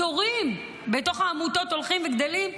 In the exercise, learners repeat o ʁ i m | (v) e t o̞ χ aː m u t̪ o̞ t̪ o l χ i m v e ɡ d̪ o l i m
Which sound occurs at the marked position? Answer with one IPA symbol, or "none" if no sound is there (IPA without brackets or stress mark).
b